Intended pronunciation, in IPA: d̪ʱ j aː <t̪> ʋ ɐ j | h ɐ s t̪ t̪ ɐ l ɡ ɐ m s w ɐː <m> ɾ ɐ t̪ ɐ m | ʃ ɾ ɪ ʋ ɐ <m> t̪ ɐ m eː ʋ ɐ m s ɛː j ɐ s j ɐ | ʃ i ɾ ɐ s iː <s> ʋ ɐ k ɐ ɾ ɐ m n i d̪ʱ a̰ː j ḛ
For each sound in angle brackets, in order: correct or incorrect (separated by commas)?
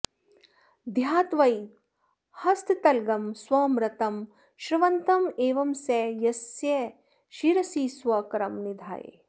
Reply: correct, correct, incorrect, correct